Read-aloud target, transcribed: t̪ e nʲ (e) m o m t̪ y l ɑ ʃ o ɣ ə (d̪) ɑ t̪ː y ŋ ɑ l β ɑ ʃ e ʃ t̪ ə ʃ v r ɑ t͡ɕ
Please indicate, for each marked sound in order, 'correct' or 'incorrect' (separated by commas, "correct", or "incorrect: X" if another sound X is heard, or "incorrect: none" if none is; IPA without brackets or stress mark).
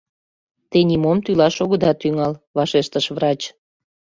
incorrect: i, correct